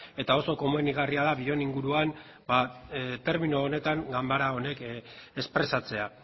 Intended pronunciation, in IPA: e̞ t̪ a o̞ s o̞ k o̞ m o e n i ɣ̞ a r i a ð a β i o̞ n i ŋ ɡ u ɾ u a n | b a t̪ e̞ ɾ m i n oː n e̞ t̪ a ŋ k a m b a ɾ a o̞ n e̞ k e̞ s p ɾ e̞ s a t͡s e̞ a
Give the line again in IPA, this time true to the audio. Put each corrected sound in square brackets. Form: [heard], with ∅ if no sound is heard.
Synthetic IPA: e̞ t̪ a o̞ s o̞ k o̞ m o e n i ɣ̞ a r i a ð a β i o̞ n i ŋ ɡ u ɾ u a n | b a t̪ e̞ ɾ m i n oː n e̞ t̪ a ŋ [ɡ] a m b a ɾ a o̞ n e̞ k e̞ s p ɾ e̞ s a t͡s e̞ a